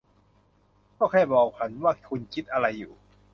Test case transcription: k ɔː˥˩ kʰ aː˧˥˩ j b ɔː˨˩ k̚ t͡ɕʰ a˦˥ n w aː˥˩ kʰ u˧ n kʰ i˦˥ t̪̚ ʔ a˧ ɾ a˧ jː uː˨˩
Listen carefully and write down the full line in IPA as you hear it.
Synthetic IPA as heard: k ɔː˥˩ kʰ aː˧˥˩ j b ɔː˨˩ k̚ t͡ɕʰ a˦˥ n w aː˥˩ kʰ u˧ n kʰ i˦˥ t̪̚ ʔ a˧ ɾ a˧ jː uː˨˩

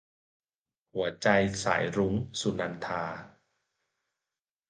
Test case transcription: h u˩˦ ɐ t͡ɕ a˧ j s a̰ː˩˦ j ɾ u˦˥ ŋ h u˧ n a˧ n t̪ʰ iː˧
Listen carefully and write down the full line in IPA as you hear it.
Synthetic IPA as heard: h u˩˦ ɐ t͡ɕ a˧ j s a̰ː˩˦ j ɾ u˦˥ ŋ s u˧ n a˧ n t̪ʰ aː˧

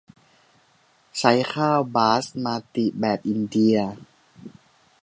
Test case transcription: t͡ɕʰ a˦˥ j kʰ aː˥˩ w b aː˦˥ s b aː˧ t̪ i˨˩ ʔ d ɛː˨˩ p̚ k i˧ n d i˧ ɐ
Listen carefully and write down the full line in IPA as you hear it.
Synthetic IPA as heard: t͡ɕʰ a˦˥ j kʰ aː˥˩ w b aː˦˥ s m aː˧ t̪ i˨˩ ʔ b ɛː˨˩ p̚ ʔ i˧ n d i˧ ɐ

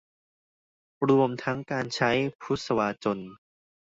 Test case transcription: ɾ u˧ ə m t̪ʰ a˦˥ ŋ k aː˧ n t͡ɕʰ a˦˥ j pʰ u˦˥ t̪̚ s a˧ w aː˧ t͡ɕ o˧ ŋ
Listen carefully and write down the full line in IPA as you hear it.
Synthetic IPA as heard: ɾ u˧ ə m t̪ʰ a˦˥ ŋ k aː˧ n t͡ɕʰ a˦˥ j pʰ u˦˥ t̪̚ s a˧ w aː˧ t͡ɕ o˧ n

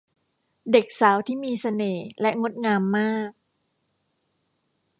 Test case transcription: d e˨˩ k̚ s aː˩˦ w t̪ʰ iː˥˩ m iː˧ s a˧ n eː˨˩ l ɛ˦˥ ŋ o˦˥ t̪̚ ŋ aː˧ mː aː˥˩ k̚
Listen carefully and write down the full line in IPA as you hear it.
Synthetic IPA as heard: d e˨˩ k̚ s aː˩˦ w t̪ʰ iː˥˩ m iː˧ s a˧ n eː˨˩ l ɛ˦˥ ŋ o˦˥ t̪̚ ŋ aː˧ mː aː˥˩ k̚

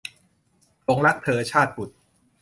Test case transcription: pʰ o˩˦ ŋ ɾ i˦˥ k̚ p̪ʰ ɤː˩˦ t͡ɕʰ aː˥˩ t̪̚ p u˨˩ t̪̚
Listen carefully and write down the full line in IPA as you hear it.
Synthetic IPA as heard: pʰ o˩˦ ŋ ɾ a˦˥ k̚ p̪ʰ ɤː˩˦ t͡ɕʰ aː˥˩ t̪̚ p u˨˩ t̪̚

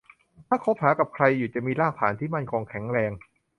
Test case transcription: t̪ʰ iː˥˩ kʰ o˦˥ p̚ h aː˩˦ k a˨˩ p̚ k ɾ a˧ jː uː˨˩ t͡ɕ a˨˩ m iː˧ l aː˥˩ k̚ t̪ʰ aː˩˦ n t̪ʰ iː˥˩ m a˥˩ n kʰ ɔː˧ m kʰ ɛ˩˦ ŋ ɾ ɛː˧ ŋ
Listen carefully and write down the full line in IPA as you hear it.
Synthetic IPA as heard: t̪ʰ aː˥˩ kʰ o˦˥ p̚ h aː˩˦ k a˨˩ p̚ kʰ ɾ a˧ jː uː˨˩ t͡ɕ a˨˩ m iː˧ l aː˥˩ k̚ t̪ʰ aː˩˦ n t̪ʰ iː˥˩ m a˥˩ n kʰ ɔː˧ ŋ kʰ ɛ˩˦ ŋ ɾ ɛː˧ ŋ

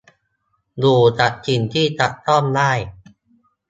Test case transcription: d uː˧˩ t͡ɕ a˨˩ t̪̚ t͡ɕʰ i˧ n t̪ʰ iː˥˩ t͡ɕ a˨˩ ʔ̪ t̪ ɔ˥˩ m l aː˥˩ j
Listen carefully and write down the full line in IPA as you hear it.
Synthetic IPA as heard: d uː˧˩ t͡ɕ a˨˩ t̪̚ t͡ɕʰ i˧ n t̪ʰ iː˥˩ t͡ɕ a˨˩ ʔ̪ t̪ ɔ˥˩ m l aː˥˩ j

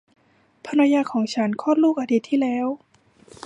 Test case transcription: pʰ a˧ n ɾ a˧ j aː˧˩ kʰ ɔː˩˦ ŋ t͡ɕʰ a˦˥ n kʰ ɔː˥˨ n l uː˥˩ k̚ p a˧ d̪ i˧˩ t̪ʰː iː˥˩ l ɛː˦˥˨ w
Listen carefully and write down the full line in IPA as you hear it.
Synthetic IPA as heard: pʰ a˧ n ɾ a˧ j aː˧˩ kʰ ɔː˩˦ ŋ t͡ɕʰ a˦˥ n kʰ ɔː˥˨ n l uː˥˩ k̚ ʔ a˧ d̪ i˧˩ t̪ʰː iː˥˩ l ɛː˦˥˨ w

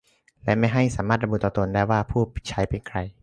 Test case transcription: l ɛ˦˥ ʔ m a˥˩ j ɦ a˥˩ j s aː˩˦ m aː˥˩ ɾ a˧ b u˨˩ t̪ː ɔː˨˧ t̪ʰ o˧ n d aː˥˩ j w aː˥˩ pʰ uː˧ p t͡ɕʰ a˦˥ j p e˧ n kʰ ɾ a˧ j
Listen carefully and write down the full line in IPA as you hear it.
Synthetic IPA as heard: l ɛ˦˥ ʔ m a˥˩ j ɦ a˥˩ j s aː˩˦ m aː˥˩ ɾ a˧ b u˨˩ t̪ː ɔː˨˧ t̪ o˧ n d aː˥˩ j w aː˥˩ pʰ uː˥˩ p t͡ɕʰ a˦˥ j p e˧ n kʰ ɾ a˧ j

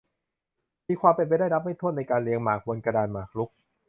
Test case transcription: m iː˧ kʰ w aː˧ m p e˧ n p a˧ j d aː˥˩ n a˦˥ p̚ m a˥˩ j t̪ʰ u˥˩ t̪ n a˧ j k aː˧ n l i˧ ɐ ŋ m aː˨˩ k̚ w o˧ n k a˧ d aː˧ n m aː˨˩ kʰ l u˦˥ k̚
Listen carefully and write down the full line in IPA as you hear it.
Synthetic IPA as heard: m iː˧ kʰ w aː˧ m p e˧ n p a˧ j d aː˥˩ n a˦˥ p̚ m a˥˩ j t̪ʰ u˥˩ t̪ n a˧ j k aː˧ n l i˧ ə ŋ m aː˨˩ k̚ w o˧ n k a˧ d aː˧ n m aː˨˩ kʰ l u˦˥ k̚

